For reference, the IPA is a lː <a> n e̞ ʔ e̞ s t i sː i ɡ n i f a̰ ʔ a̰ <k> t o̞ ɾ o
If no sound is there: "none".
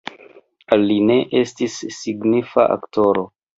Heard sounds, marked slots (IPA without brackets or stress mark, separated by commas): i, k